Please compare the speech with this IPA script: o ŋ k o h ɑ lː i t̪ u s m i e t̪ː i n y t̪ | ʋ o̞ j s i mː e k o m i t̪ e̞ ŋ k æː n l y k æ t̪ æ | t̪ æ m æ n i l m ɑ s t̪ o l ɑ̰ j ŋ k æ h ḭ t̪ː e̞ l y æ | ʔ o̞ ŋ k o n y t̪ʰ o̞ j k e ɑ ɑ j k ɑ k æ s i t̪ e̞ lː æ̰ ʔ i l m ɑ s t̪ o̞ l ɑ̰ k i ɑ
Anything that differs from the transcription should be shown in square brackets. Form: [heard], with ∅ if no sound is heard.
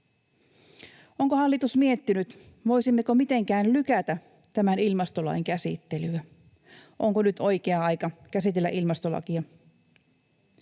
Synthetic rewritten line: o ŋ k o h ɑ lː i t̪ u s m i e t̪ː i n y t̪ | ʋ o̞ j s i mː e k o m i t̪ e̞ ŋ k æː n l y k æ t̪ æ | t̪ æ m æ n i l m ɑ s t̪ o l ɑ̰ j ŋ k æ [s] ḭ t̪ː e̞ l y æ | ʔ o̞ ŋ k o n y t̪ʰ o̞ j k e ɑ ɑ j k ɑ k æ s i t̪ e̞ lː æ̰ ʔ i l m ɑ s t̪ o̞ l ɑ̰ k i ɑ